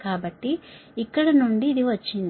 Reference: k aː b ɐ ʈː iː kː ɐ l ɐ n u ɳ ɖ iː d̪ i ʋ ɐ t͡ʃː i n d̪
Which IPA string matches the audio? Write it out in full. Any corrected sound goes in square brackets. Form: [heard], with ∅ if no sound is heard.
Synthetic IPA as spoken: k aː b ɐ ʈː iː kː ɐ [ɽ] ɐ n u ɳ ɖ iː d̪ i ʋ ɐ t͡ʃː i n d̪